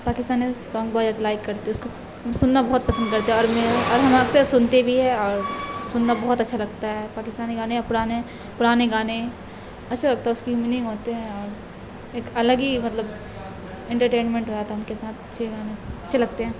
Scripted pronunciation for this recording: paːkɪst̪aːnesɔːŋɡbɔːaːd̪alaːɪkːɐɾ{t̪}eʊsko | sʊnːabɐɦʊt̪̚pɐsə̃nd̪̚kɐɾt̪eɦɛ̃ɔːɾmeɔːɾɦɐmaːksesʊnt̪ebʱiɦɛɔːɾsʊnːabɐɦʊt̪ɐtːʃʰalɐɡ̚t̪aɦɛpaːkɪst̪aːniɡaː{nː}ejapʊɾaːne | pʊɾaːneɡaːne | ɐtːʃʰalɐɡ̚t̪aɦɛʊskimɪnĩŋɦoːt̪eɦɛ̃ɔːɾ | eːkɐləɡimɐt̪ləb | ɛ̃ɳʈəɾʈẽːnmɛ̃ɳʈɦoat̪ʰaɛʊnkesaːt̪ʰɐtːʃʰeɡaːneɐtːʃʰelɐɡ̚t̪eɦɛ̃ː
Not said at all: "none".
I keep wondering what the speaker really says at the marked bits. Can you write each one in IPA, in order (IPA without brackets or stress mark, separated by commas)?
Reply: t̪, n